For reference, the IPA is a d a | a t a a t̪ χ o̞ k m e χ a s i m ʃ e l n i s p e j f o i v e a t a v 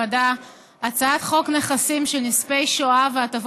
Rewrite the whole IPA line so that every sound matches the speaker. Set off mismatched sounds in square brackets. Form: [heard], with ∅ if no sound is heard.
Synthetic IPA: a d a | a [t͡s] a a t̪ χ o̞ k [n] e χ a s i m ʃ e l n i s p e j [ʃ] o [a] v e a t a v

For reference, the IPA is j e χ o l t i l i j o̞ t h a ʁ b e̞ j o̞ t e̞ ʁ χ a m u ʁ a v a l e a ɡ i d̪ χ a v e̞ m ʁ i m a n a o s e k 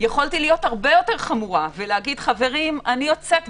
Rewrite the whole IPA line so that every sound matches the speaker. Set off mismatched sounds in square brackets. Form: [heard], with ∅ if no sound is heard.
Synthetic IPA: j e χ o l t i l i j o̞ t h a ʁ b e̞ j o̞ t e̞ ʁ χ a m u ʁ a v [e] l e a ɡ i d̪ χ a v e̞ [∅] ʁ i m a n [i] o [t͡s] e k

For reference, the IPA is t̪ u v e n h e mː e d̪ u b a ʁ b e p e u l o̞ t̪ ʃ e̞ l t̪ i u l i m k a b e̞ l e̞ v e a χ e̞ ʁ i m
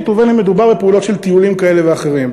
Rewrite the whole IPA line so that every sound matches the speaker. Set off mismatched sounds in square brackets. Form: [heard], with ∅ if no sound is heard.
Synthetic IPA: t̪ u v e n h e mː e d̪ u b a ʁ b e p e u l o̞ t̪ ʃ e̞ l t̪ i u l i m k a [∅] e̞ l e̞ v e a χ e̞ ʁ i m

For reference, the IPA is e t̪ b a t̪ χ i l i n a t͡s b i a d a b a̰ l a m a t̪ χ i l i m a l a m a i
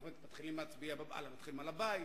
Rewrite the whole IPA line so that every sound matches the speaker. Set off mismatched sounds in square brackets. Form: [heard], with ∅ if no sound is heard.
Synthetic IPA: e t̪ [m] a t̪ χ i l i [m] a t͡s b i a [b] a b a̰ l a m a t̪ χ i l i m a l a [b] a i

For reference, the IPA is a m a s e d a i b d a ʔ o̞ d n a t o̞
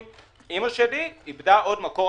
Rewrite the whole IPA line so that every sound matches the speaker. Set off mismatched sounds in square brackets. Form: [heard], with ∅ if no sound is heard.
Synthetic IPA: [i] m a [ʃ] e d [i] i b d a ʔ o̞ d [m] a [k] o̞

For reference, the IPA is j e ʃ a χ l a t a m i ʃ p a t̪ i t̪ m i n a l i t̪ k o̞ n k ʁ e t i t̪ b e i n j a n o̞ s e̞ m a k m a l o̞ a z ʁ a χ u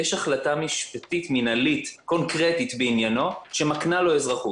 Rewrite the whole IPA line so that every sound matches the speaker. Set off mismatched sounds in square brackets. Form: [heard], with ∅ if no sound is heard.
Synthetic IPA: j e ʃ a χ l a t a m i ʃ p a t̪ i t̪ m i n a l i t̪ k o̞ n k ʁ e t i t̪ b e i n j a n o̞ [ʃ] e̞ m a k [n] a l o̞ [e] z ʁ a χ u

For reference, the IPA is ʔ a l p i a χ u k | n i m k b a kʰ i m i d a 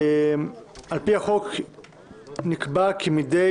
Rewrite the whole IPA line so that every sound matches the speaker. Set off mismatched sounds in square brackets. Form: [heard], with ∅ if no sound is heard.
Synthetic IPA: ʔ a l p i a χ [o] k | n i [∅] k b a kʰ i m i d [e]

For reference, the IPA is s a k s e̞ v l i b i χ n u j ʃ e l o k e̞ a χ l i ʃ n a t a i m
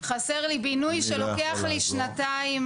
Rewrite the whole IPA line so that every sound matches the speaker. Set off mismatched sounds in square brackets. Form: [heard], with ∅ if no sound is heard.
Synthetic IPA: [χ] a [∅] s e̞ [ʁ] l i b i [∅] n u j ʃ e l o k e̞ a χ l i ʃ n a t a i m

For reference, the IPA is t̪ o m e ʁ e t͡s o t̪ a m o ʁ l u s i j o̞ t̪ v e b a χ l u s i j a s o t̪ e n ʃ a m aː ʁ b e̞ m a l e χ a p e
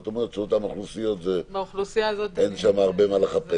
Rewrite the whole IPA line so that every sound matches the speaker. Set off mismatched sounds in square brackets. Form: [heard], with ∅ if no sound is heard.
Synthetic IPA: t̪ o m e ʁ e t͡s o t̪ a m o [χ] l u s i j o̞ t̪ v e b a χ l u s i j a [z] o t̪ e n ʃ a m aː ʁ b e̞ m a l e χ a p e

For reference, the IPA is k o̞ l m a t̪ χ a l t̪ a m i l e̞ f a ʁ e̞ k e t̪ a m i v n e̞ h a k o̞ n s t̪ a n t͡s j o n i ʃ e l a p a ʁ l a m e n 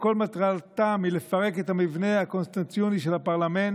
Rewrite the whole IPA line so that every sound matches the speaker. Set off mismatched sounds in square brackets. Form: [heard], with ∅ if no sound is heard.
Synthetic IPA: k o̞ l m a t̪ [ʁ] a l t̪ a m i l e̞ f a ʁ e̞ k e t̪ a m i v n e̞ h a k o̞ n s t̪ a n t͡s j o n i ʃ e l a p a ʁ l a m e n

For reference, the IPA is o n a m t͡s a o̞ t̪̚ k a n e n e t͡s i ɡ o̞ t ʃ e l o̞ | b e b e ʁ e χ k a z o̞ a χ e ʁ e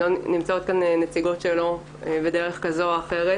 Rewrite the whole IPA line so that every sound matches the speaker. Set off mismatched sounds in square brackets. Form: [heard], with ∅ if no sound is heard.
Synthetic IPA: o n [i] m t͡s a o̞ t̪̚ k a n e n e t͡s i ɡ o̞ t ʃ e l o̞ | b e [d] e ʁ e χ k a z o̞ a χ e ʁ e

